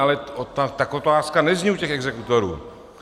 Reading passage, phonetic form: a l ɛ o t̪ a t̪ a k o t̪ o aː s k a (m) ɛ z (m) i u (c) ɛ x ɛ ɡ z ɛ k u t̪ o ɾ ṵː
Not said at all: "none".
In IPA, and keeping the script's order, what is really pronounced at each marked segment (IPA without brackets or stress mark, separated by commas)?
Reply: n, ɲ, c